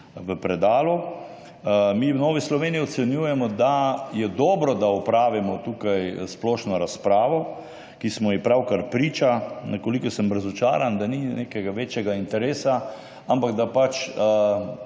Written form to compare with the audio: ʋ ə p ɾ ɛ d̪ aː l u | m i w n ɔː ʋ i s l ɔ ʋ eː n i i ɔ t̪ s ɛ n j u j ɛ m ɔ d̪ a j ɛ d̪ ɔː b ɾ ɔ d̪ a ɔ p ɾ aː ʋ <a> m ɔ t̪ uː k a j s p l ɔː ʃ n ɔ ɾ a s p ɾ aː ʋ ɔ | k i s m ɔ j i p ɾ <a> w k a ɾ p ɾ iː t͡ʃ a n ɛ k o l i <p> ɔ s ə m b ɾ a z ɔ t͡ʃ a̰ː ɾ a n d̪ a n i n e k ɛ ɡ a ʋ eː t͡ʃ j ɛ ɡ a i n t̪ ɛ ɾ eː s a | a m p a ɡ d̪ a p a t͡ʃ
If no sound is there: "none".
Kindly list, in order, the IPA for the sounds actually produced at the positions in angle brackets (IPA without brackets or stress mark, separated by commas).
i, a, k